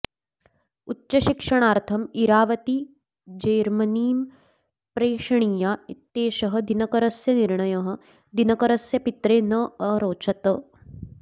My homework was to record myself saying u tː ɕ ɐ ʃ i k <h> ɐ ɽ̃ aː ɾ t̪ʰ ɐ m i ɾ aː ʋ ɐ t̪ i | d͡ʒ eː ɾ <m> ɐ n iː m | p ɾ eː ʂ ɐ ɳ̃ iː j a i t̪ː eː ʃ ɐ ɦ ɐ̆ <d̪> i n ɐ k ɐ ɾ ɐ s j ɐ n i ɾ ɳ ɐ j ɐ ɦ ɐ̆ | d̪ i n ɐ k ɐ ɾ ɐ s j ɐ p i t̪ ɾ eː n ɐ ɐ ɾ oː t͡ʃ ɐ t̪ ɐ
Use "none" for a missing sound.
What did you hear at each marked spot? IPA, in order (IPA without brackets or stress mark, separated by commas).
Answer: ʂ, m, d̪